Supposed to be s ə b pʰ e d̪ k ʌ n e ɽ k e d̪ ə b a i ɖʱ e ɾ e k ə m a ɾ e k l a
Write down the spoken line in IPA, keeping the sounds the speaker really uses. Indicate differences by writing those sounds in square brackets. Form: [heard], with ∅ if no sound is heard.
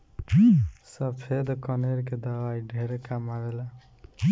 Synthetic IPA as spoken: s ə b pʰ e d̪ k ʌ n e [ɾ] k e d̪ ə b a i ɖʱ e ɾ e k [a] m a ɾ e [∅] l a